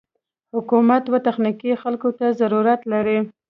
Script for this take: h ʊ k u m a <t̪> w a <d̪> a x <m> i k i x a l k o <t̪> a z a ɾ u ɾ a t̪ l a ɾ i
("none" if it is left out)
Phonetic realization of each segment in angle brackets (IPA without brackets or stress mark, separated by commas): t̪, t̪, n, t̪